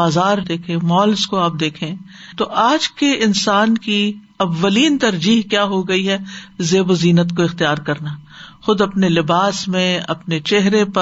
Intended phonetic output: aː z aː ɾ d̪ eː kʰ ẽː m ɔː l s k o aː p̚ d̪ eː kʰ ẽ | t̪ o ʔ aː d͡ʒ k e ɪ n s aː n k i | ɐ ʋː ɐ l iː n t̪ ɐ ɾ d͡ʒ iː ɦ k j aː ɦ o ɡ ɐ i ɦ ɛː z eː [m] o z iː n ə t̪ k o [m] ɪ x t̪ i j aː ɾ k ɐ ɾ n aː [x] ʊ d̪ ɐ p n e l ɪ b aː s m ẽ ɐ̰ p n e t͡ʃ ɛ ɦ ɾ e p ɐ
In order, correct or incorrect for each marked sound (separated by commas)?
incorrect, incorrect, correct